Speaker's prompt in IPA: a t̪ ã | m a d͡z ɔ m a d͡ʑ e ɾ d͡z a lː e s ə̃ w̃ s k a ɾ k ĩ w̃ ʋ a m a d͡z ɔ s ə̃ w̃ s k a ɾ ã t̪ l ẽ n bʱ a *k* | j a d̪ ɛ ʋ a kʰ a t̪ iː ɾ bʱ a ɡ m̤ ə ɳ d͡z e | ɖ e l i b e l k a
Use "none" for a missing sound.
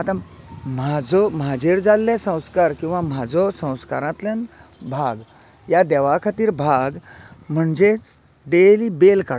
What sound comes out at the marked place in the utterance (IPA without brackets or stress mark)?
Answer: ɡ